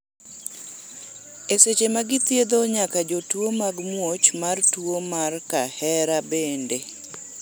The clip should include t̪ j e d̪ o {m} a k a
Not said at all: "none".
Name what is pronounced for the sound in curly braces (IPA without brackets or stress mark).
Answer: ɲ